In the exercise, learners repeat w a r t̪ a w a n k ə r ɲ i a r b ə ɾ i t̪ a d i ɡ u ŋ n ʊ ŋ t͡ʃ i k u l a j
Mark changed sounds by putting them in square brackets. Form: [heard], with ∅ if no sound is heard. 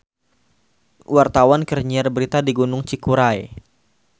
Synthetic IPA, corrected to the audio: w a r t̪ a w a n k ə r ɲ i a r b ə ɾ i t̪ a d i ɡ u [∅] n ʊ ŋ t͡ʃ i k u [ɾ] a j